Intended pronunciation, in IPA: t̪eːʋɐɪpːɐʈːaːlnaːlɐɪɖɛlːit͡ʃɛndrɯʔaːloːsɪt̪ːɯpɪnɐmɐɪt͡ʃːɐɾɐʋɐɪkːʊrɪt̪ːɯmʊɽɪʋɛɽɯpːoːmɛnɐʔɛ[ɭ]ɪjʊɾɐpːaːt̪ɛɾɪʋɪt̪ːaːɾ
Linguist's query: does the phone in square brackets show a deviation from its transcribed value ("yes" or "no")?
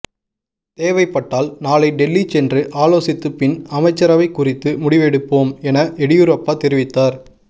yes